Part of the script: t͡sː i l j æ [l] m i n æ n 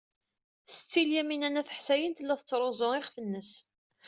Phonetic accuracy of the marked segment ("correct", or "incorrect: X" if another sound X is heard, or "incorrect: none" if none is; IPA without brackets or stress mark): incorrect: none